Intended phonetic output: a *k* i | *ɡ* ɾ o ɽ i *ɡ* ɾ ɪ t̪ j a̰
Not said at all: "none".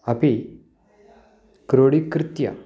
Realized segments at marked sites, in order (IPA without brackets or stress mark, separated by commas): p, k, k